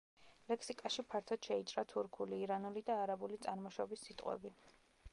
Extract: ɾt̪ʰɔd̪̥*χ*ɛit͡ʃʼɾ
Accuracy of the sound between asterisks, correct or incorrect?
incorrect